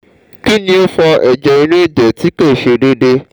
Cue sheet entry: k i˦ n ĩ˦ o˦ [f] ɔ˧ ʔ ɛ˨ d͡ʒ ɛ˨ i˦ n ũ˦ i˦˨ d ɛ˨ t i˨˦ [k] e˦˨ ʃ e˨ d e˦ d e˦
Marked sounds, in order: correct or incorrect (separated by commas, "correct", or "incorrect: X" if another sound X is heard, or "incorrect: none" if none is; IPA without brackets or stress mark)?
correct, correct